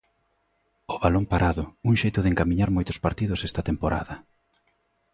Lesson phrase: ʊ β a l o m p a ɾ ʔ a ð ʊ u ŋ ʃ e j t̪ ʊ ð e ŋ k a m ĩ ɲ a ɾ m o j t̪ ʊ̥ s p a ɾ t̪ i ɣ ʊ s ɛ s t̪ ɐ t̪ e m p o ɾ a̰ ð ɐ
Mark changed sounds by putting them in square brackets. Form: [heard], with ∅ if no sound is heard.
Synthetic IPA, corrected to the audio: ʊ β a l o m p a ɾ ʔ a ð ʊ u ŋ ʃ e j t̪ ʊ ð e ŋ k a m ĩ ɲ a ɾ m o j t̪ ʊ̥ s p a ɾ t̪ i [ð] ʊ s ɛ s t̪ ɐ t̪ e m p o ɾ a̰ ð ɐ